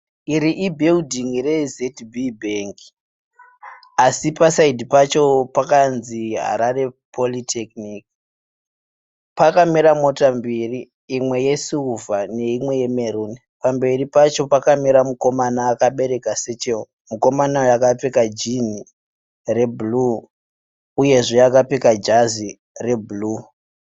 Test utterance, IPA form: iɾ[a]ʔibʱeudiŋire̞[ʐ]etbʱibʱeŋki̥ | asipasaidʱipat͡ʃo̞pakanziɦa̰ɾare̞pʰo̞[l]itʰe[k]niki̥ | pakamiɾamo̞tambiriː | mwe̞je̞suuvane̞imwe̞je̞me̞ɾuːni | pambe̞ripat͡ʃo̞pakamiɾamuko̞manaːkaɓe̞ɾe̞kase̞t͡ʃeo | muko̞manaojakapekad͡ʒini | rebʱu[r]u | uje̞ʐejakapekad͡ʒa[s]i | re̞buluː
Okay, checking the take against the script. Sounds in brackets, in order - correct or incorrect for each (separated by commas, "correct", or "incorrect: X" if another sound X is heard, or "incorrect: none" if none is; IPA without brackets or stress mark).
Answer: incorrect: i, incorrect: z, correct, correct, incorrect: l, incorrect: z